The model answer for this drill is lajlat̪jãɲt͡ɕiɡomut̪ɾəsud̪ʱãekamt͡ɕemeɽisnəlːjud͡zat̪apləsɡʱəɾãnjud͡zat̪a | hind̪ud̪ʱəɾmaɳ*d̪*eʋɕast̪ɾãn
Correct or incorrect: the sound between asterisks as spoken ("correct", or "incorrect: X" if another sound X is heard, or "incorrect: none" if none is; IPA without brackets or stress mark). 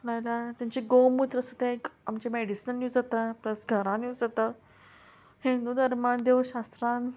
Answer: correct